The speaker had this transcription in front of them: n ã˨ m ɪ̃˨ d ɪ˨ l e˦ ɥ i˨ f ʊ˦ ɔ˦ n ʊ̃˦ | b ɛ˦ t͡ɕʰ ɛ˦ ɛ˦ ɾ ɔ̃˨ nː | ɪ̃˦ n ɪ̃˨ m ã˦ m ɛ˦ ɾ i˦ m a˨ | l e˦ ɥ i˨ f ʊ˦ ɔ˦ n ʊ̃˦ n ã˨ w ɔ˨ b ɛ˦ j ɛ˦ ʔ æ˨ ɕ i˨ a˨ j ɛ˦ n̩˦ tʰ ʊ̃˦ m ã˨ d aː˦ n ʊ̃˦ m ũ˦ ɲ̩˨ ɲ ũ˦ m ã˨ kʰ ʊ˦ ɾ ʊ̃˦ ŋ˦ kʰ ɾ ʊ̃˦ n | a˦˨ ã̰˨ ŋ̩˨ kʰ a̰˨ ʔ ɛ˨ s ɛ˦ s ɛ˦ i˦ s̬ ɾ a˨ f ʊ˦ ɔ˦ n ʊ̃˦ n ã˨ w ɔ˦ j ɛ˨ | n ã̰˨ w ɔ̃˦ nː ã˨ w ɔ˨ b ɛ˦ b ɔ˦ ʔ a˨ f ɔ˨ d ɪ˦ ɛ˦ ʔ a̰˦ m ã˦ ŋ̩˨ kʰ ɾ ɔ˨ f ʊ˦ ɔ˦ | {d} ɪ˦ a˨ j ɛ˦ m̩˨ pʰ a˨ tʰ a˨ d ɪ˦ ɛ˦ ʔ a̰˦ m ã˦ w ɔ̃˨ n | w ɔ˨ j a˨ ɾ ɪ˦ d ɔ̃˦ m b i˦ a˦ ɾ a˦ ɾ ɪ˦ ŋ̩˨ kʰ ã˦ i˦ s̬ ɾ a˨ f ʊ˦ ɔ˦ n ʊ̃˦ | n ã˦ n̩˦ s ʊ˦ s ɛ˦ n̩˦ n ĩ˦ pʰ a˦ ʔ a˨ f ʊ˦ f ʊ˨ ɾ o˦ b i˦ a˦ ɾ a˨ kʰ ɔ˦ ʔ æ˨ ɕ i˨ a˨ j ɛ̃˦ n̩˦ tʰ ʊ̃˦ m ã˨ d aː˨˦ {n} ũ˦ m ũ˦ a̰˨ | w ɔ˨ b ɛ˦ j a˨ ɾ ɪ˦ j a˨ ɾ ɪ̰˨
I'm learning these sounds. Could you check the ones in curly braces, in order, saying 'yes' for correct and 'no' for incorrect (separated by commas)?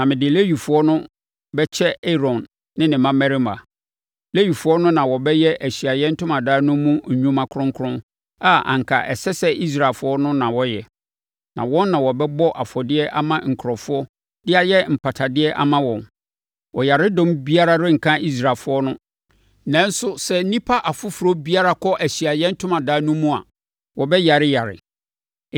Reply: yes, yes